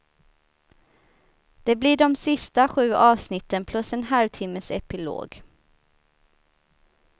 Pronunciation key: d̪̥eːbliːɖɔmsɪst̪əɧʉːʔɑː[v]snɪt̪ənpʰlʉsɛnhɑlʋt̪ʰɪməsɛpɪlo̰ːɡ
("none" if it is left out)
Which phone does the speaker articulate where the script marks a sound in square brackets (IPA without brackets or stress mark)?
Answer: ʋ